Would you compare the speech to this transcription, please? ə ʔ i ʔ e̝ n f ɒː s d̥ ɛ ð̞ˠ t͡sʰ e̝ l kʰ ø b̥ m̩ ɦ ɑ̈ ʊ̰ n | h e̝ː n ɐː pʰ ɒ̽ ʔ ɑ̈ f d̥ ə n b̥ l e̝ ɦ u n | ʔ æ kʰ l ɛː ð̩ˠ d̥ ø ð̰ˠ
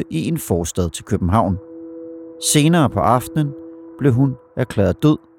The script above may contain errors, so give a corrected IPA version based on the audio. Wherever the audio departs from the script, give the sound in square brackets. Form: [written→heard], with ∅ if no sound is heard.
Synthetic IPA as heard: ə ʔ i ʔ e̝ n f ɒː s d̥ ɛ ð̞ˠ t͡sʰ e̝ l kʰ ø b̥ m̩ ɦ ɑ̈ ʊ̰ n | [h→s] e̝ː n ɐː pʰ ɒ̽ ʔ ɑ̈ f d̥ ə n b̥ l e̝ ɦ u n | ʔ æ kʰ l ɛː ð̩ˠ d̥ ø ð̰ˠ